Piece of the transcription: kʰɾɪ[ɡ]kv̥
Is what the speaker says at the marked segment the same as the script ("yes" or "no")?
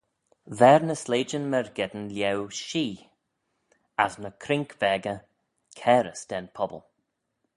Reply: no